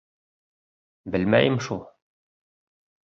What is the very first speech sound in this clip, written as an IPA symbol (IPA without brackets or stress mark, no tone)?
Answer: b